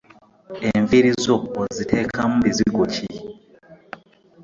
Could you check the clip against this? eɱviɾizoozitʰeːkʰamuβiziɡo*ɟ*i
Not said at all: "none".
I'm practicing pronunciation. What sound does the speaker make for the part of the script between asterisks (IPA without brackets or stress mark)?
c